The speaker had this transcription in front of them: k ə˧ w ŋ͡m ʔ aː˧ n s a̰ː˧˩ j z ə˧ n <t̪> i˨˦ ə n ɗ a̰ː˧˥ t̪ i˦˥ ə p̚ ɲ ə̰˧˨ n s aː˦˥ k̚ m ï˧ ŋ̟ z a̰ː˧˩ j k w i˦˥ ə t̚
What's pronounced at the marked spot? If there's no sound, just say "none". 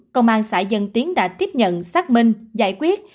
t̪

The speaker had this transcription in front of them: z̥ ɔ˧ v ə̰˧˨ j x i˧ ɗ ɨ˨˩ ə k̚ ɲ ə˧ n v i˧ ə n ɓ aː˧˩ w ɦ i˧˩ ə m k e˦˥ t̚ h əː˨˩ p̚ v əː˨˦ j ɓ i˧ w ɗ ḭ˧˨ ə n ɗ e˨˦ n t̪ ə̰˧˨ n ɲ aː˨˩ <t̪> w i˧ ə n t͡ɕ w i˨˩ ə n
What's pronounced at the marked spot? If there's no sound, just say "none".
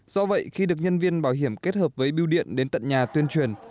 t̪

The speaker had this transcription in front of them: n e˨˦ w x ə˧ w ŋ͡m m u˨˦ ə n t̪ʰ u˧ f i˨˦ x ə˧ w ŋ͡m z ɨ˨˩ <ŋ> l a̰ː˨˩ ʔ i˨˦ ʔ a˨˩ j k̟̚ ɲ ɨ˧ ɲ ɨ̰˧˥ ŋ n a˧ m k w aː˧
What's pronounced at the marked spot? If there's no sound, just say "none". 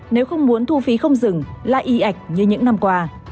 ŋ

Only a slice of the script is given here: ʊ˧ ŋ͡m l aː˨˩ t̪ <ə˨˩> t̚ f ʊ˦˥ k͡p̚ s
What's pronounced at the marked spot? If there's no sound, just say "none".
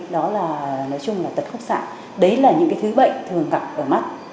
ə˨˩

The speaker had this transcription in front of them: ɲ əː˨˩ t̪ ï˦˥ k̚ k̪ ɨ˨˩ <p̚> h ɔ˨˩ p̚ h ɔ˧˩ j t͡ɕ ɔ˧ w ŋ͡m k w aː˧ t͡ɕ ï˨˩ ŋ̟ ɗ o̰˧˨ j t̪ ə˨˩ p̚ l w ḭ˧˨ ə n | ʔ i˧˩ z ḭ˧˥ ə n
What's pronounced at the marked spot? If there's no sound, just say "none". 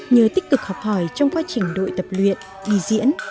k̚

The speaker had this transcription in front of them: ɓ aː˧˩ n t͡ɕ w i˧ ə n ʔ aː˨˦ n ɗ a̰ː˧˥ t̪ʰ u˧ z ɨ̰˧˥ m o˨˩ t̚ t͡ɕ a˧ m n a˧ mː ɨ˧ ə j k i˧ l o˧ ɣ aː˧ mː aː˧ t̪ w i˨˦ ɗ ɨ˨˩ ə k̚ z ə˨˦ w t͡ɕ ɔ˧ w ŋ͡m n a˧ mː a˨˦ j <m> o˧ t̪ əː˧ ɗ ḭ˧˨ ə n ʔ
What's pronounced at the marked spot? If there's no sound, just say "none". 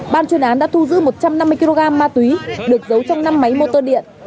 m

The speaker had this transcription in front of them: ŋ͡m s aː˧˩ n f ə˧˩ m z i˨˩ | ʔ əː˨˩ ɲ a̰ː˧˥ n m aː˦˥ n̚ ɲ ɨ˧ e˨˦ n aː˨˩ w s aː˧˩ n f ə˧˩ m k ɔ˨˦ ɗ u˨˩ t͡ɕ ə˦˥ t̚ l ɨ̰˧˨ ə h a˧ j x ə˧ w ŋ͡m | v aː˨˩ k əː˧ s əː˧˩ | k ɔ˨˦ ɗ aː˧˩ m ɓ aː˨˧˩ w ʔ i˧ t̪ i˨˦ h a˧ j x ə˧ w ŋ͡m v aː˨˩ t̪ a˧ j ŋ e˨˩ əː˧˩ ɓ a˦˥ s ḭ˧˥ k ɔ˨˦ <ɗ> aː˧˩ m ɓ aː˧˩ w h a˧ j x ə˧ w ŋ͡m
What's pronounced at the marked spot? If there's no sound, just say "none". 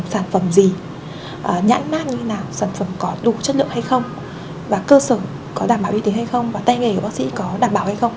ɗ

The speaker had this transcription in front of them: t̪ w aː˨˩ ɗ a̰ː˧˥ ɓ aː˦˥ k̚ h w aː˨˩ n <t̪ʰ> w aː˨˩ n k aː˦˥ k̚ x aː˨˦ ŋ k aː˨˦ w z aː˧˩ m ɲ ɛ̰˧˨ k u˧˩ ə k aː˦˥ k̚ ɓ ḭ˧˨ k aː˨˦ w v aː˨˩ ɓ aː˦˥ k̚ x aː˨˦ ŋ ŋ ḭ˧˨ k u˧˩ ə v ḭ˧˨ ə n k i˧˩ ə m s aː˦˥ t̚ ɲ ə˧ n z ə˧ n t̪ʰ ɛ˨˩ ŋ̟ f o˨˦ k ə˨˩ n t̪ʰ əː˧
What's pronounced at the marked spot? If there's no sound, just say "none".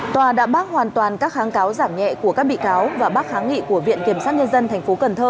t̪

